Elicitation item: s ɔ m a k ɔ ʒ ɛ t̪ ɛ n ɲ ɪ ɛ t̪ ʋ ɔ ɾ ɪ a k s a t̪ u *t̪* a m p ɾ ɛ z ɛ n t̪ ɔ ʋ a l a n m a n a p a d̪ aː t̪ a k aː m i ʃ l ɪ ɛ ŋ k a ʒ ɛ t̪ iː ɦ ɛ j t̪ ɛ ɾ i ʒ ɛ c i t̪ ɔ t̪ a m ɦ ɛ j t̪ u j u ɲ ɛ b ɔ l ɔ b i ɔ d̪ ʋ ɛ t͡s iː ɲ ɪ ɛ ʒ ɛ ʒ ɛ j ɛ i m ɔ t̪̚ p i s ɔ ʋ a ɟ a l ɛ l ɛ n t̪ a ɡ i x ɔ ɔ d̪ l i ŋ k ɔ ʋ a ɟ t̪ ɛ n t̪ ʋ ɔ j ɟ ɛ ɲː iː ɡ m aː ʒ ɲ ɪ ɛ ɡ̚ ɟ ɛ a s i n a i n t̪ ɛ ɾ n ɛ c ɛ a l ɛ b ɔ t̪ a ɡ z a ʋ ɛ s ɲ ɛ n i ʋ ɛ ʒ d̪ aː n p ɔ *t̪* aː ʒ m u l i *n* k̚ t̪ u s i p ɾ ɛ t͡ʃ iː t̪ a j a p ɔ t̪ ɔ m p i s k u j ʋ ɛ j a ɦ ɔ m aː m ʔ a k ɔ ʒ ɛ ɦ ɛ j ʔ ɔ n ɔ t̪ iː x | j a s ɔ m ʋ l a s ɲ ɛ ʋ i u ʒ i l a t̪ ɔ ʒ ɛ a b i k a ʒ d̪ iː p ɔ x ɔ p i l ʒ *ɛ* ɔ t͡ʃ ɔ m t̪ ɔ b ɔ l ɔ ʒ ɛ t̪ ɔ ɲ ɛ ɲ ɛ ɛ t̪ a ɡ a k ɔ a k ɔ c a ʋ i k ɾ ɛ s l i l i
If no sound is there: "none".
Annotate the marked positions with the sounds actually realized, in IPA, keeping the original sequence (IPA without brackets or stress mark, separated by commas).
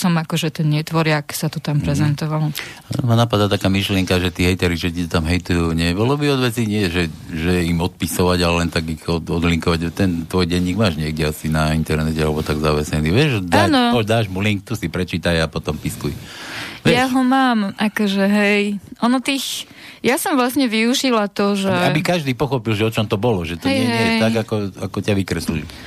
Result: t̪, d̪, ŋ, ɛ